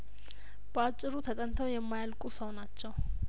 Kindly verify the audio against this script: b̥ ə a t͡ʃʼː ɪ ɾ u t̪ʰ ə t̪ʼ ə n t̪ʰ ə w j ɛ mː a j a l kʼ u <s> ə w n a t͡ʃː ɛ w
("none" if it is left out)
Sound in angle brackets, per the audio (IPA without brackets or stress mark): s